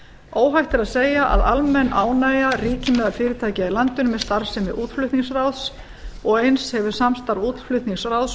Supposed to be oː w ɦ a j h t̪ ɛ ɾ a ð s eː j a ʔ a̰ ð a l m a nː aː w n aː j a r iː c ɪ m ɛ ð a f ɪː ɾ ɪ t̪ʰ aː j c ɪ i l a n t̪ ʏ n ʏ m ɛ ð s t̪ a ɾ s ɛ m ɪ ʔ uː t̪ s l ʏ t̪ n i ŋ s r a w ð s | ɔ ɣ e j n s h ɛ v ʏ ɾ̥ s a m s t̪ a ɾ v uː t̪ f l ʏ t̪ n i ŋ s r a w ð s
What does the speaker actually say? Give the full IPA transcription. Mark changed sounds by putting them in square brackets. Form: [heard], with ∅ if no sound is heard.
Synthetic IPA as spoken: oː w ɦ a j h t̪ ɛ ɾ a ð s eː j a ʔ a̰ ð a l m [ɛ] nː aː w n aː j a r iː c ɪ m ɛ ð a f ɪː ɾ ɪ t̪ʰ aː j c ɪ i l a n t̪ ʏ n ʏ m ɛ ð s t̪ a ɾ s ɛ m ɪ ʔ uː t̪ [f] l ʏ t̪ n i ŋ s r a w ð s | ɔ ɣ e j n s h ɛ v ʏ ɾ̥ s a m s t̪ a ɾ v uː t̪ f l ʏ t̪ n i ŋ s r a w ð s